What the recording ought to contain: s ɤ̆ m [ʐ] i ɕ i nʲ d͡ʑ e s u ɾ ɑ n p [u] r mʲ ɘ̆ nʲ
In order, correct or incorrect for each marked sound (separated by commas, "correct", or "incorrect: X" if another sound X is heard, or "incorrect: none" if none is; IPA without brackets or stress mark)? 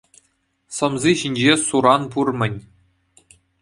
incorrect: z, correct